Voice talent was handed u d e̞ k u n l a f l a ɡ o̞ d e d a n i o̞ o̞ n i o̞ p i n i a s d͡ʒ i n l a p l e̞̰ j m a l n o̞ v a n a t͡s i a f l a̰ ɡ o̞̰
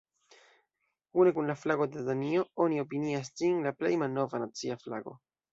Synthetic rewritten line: u n e̞ k u n l a f l a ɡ o̞ d e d a n i o̞ o̞ n i o̞ p i n i a s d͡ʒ i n l a p l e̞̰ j m a l n o̞ v a n a t͡s i a f l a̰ ɡ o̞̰